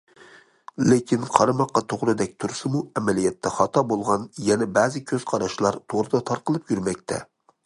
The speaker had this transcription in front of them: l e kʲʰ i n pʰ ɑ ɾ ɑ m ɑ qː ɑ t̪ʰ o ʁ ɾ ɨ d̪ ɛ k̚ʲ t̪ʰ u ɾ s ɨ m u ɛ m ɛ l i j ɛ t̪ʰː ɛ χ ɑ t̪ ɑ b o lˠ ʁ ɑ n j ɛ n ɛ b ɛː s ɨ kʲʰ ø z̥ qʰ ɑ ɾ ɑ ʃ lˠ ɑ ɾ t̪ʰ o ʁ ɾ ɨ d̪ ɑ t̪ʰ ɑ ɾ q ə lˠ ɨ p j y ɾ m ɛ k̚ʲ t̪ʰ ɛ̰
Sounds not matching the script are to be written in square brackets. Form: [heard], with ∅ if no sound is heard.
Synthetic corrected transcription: l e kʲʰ i n [qʰ] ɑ ɾ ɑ m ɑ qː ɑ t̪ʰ o ʁ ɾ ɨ d̪ ɛ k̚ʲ t̪ʰ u ɾ s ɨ m u ɛ m ɛ l i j ɛ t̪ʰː ɛ χ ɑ t̪ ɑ b o lˠ ʁ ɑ n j ɛ n ɛ b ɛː [z] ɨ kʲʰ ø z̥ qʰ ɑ ɾ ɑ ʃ lˠ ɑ ɾ t̪ʰ o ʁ ɾ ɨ d̪ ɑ t̪ʰ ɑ ɾ q ə lˠ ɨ p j y ɾ m ɛ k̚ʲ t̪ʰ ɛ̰